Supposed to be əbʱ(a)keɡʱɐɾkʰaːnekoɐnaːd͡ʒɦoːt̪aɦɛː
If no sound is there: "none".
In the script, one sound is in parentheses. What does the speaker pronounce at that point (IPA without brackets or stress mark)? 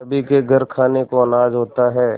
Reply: i